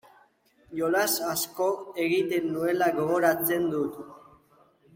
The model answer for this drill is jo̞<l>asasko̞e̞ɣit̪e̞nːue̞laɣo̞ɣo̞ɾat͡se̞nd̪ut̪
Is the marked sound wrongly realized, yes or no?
no